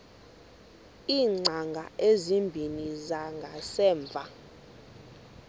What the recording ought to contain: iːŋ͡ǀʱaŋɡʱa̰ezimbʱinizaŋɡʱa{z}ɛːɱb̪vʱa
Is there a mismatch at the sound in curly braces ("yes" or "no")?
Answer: yes